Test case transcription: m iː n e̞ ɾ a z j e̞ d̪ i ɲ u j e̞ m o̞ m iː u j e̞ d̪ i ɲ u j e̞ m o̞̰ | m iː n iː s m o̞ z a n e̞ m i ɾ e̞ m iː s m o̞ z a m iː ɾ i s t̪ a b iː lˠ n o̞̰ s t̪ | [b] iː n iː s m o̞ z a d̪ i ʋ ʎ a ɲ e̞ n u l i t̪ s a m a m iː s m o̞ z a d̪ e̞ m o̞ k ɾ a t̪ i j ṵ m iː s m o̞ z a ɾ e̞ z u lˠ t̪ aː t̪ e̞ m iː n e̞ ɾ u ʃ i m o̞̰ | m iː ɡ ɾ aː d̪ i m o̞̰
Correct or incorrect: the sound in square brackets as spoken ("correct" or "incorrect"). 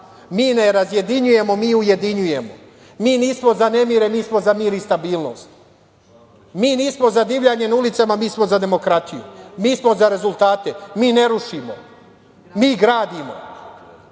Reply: incorrect